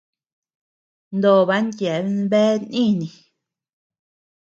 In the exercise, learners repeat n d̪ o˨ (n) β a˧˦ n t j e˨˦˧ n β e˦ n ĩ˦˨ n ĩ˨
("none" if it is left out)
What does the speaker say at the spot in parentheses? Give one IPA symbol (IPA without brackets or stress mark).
none